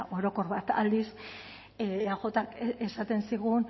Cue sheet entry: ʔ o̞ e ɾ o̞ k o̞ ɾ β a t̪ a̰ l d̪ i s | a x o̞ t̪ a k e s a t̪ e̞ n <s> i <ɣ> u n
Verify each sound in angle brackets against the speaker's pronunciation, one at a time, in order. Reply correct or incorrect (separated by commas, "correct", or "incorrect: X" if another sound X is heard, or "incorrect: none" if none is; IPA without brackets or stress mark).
correct, correct